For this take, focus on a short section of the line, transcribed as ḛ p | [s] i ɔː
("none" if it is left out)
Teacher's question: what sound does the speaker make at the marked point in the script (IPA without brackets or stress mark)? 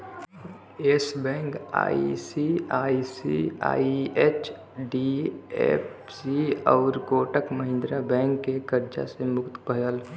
s